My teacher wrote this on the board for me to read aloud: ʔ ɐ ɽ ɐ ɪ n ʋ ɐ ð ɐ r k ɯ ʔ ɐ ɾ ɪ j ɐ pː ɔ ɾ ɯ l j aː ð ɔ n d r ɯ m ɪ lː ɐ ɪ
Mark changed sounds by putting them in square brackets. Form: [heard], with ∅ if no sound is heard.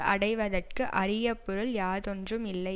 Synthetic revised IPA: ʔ ɐ ɽ ɐ ɪ [∅] ʋ ɐ ð ɐ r k ɯ ʔ ɐ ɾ ɪ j ɐ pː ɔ ɾ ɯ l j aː ð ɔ n d r ɯ m ɪ lː ɐ ɪ